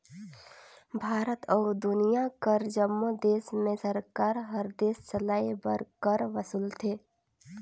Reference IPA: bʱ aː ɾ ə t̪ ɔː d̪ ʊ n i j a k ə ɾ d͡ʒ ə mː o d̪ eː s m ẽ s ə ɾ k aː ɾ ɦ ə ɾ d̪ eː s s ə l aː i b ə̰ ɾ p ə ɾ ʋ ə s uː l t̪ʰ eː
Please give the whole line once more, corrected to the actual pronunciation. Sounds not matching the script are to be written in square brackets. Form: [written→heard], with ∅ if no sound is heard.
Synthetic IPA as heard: bʱ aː ɾ ə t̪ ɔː d̪ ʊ n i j a k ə ɾ d͡ʒ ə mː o d̪ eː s m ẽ s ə ɾ k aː ɾ ɦ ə ɾ d̪ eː s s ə l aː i b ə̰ ɾ [p→k] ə ɾ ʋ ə s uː l t̪ʰ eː